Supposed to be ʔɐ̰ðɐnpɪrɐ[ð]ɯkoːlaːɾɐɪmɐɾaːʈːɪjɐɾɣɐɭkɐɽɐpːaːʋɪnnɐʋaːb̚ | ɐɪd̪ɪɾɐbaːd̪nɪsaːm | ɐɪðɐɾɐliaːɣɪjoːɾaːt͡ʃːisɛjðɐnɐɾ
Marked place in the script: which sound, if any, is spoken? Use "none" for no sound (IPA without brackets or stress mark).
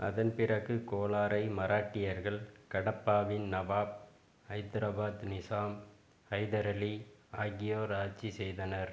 ɣ